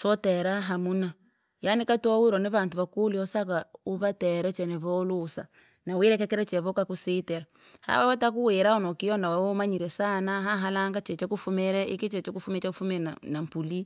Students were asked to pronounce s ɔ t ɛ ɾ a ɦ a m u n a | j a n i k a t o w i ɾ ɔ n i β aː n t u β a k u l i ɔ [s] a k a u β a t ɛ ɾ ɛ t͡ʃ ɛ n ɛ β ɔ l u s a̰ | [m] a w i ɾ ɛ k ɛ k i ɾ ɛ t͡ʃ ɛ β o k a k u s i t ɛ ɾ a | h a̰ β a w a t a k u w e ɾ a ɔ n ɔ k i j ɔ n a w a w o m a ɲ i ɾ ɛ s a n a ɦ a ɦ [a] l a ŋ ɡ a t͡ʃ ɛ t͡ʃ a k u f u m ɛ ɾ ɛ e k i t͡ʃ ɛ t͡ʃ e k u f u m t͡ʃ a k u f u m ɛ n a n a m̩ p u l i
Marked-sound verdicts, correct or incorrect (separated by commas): correct, incorrect, correct